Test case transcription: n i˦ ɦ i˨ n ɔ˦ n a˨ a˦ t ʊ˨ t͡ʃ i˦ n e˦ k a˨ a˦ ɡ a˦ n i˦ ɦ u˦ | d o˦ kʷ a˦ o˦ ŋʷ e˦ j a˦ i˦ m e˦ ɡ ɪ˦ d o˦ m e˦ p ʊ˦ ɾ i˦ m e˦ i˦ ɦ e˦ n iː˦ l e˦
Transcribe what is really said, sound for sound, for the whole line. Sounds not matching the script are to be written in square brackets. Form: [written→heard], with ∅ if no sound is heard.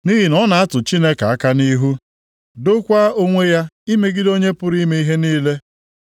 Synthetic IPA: n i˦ ɦ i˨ n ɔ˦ n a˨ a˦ t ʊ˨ t͡ʃ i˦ n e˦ k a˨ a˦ [ɡ→k] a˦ n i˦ ɦ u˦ | d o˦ kʷ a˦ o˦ ŋʷ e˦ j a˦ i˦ m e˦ ɡ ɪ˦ d o˦ [m→ɲ] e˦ p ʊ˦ ɾ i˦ m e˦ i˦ ɦ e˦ n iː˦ l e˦